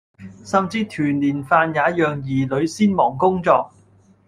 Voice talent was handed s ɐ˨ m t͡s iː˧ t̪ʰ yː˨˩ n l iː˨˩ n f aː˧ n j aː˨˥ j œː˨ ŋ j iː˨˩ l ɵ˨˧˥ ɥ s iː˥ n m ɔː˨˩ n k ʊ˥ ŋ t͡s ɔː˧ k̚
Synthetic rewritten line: s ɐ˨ m t͡s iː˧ t̪ʰ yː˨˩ n l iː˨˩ n f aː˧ n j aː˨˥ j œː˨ ŋ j iː˨˩ l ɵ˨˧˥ ɥ s iː˥ n m ɔː˨˩ ŋ k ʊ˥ ŋ t͡s ɔː˧ k̚